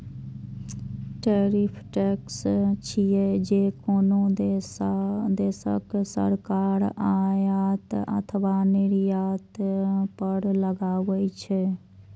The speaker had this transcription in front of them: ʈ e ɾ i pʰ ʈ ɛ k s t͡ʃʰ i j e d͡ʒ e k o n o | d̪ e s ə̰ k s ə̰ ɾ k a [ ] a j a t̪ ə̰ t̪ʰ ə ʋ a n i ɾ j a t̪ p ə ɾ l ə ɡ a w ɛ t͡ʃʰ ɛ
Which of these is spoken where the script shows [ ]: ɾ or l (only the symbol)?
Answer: ɾ